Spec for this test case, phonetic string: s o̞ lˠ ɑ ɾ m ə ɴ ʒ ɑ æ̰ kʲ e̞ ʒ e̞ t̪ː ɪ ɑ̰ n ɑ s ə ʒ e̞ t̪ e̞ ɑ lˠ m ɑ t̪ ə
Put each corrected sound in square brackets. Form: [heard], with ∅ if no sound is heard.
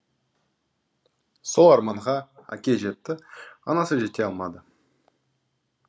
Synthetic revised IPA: s o̞ lˠ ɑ ɾ m [ɑ] ɴ [ʁ] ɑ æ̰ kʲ e̞ ʒ e̞ t̪ː ɪ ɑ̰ n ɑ s ə ʒ e̞ t̪ e̞ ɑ lˠ m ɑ [d̪] ə